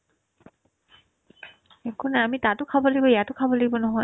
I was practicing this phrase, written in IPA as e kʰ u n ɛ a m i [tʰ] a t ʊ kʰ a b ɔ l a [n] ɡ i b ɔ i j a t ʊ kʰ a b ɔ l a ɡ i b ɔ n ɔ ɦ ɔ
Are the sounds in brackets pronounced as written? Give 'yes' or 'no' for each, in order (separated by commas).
no, no